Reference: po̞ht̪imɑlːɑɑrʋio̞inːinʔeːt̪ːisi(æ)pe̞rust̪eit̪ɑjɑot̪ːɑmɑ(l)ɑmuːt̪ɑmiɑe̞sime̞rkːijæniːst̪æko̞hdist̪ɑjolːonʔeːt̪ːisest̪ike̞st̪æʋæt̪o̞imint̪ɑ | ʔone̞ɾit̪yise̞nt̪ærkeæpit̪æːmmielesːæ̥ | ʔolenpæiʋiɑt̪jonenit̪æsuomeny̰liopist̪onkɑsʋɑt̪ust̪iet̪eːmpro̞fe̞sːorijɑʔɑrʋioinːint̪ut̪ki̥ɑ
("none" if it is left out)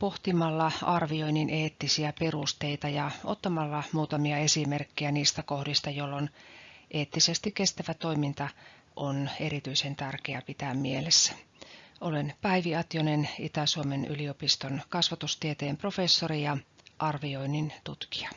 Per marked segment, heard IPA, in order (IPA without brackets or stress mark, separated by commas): æ, lː